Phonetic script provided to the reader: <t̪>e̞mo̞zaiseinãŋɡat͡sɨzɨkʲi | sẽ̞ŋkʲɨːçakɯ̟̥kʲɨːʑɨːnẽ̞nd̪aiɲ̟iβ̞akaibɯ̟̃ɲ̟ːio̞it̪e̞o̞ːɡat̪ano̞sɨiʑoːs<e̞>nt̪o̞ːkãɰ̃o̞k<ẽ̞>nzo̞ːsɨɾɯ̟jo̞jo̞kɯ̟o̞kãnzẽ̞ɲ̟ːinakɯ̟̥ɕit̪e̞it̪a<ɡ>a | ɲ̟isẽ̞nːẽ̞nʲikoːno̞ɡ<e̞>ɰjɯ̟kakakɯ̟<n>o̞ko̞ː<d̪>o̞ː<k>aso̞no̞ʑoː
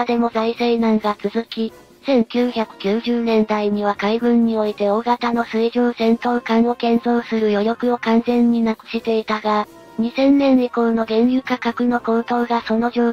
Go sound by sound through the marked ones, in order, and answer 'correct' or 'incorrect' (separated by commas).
incorrect, incorrect, correct, correct, incorrect, correct, incorrect, incorrect